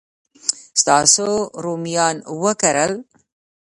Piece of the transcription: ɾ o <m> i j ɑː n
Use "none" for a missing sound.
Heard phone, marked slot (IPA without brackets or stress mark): m